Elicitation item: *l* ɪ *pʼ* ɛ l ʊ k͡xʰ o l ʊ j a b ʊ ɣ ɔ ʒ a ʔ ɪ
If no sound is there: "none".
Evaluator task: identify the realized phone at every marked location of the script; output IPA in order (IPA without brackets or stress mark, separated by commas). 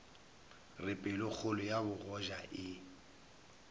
r, pʼ